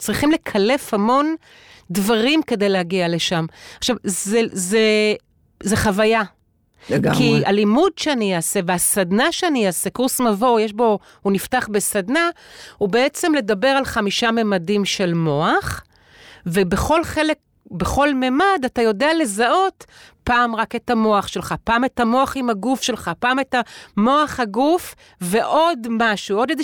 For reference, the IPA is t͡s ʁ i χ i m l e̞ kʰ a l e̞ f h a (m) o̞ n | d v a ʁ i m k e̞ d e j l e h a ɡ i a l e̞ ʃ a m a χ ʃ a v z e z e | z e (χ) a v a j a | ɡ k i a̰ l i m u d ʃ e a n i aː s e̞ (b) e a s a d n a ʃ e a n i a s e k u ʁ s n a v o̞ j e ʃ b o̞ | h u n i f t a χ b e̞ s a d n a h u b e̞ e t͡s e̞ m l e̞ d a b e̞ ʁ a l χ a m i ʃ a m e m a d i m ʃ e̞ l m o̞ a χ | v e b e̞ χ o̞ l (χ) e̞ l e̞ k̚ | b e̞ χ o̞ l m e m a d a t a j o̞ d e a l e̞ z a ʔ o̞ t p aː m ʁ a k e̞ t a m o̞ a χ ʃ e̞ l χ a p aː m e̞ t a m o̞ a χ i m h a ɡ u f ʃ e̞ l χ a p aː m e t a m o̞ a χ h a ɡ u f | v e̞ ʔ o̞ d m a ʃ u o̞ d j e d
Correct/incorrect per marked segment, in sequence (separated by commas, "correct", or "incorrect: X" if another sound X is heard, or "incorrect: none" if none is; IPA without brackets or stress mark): correct, correct, incorrect: v, correct